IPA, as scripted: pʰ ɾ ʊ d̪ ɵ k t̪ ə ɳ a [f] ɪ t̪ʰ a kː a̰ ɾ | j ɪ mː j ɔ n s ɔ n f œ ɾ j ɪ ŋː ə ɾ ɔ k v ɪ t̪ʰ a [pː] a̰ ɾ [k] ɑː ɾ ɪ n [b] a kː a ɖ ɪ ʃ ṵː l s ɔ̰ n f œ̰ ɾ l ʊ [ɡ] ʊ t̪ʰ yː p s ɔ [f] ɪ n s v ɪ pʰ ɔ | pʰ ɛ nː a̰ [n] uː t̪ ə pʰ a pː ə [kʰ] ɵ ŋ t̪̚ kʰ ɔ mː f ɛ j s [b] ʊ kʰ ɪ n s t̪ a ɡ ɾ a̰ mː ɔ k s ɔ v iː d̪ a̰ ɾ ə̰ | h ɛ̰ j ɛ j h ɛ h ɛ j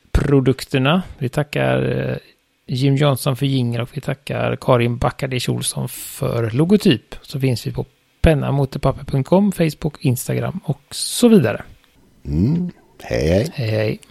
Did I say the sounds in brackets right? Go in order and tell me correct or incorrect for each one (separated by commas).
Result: incorrect, incorrect, incorrect, correct, correct, correct, incorrect, incorrect, correct